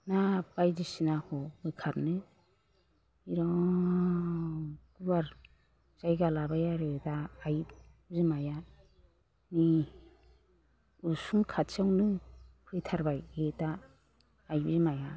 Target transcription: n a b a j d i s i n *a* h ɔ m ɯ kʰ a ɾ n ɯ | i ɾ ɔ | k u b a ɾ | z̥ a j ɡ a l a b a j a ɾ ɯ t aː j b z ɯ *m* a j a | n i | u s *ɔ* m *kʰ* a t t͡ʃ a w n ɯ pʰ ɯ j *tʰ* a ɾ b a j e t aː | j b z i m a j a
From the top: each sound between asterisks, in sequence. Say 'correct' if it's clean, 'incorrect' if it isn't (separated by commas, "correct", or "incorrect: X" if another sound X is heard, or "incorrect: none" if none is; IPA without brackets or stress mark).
correct, correct, incorrect: u, correct, correct